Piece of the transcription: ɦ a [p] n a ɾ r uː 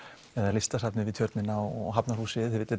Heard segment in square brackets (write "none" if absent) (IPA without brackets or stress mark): p